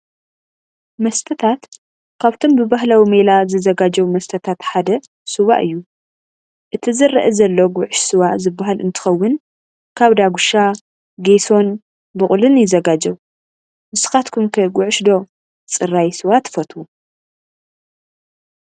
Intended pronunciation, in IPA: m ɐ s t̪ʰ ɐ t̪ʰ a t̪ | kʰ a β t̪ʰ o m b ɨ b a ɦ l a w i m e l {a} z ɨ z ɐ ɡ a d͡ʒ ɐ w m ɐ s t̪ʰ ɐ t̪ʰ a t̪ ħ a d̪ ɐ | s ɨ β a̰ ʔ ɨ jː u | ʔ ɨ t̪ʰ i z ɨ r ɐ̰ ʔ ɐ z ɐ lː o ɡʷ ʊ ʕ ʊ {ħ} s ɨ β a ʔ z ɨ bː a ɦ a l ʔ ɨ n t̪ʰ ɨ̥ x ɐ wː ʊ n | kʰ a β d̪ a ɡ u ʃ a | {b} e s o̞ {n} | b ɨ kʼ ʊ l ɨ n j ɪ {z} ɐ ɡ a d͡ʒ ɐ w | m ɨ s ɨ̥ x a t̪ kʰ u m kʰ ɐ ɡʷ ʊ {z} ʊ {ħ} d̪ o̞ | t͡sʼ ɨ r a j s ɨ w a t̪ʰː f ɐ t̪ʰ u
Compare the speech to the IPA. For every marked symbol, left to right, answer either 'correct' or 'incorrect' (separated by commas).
correct, incorrect, incorrect, correct, correct, incorrect, incorrect